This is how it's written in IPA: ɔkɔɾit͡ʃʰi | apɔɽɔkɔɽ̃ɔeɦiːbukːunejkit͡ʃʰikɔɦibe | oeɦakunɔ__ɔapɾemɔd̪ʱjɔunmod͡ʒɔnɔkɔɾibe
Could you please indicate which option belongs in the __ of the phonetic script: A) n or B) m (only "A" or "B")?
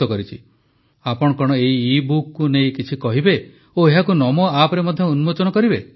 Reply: B